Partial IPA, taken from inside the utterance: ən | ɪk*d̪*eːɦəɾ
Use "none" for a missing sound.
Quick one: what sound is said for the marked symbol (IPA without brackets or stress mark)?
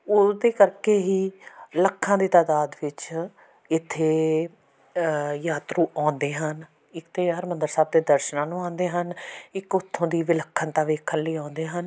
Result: t̪